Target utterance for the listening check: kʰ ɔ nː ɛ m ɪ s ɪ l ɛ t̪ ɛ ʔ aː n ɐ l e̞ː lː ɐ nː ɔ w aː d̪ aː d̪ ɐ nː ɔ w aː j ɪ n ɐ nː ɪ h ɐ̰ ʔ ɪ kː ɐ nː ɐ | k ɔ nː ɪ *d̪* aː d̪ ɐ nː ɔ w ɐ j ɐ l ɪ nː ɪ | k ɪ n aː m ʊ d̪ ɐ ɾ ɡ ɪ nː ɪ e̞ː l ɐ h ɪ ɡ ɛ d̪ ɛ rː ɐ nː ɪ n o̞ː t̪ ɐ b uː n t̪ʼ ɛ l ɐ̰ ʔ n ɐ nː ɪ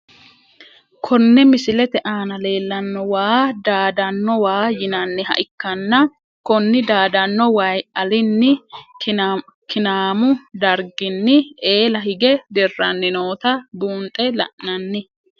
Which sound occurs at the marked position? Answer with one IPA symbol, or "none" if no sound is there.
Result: d̪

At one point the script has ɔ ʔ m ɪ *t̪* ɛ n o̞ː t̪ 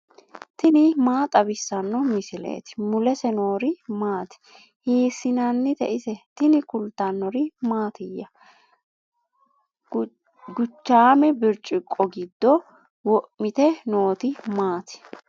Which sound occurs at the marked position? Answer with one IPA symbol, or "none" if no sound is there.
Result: t̪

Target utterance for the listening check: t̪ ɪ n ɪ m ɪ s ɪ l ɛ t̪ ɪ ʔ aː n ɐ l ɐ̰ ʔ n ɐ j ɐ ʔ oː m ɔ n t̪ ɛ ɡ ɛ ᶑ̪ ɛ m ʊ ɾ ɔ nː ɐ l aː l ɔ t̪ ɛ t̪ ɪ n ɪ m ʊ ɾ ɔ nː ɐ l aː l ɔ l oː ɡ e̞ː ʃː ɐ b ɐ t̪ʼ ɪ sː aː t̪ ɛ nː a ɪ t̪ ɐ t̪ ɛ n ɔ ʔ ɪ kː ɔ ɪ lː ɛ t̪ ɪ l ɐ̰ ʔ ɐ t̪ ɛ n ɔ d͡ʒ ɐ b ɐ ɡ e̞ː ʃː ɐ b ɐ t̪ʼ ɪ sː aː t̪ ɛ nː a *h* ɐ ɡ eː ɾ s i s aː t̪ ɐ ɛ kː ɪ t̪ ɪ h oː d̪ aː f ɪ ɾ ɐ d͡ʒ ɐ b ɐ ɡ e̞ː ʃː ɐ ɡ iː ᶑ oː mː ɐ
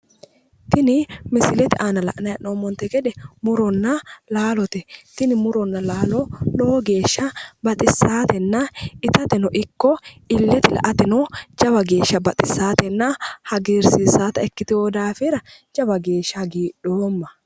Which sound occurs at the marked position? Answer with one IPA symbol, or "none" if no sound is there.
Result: h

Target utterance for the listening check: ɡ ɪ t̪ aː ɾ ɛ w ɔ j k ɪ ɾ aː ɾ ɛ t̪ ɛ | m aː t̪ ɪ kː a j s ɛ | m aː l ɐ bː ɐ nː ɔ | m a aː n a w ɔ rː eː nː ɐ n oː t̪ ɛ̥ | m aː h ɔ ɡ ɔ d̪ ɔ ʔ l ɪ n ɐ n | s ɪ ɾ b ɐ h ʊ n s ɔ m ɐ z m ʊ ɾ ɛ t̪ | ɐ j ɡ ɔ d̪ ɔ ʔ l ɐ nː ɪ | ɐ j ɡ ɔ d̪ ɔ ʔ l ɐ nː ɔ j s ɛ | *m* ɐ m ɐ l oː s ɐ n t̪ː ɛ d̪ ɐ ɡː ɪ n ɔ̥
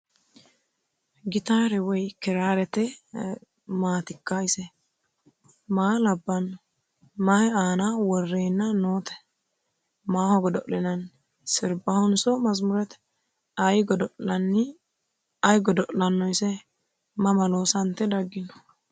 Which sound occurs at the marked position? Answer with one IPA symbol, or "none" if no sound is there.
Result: m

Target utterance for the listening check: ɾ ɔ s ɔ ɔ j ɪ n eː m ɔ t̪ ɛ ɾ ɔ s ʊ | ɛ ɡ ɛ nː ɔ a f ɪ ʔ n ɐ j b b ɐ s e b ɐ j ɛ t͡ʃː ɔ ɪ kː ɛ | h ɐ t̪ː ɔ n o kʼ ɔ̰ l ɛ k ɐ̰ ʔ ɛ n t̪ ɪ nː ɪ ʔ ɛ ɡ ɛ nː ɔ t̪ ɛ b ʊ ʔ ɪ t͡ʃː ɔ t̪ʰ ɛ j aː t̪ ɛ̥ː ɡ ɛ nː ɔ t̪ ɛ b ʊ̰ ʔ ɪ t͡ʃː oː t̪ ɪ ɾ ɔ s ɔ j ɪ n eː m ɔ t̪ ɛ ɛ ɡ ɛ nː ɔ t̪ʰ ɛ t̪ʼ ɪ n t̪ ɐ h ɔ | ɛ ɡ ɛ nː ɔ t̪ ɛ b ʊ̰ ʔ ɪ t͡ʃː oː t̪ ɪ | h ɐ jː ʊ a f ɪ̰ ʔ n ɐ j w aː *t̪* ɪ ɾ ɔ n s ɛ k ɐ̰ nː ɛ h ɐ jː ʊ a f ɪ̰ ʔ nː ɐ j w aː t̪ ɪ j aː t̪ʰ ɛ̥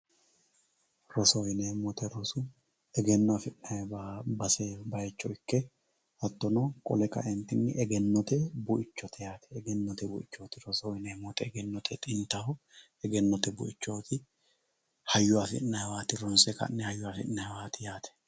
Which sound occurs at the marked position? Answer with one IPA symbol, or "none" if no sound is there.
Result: t̪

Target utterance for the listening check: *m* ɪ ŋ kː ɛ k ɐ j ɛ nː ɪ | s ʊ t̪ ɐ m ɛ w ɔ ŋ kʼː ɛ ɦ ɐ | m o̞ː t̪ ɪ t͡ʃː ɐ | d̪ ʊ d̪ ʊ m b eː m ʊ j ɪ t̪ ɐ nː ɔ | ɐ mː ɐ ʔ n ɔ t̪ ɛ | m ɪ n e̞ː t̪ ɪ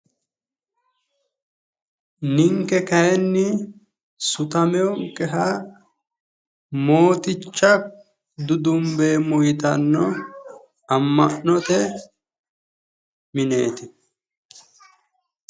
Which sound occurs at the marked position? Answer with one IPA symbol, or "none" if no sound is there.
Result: n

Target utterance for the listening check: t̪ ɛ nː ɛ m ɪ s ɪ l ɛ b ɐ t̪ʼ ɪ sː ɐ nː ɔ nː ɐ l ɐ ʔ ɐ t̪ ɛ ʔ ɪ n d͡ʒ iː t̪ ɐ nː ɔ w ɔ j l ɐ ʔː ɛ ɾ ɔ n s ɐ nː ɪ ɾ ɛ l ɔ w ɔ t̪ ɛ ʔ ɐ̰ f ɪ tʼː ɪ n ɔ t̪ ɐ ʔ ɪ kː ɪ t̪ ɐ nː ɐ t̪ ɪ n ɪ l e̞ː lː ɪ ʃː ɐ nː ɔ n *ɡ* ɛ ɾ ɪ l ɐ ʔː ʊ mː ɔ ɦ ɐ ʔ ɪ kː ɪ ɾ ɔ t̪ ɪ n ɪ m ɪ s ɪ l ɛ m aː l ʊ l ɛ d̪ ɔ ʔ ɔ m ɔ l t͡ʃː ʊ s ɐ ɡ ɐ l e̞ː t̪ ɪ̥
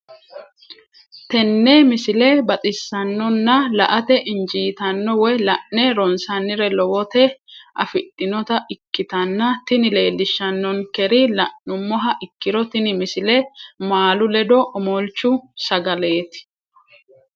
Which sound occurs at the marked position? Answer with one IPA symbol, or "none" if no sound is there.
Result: k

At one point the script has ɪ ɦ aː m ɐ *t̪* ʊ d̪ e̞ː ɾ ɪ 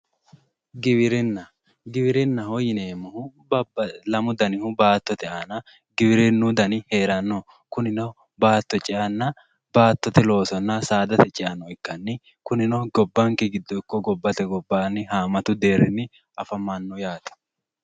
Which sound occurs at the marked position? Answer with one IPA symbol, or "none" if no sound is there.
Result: t̪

